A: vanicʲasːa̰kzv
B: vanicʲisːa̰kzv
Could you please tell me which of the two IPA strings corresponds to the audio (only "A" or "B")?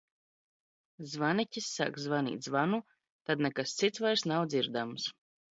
B